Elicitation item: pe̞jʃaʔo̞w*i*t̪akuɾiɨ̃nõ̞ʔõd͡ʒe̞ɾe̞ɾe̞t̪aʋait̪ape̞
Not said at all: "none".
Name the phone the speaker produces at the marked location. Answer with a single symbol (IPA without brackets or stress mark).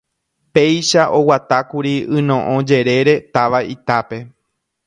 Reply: a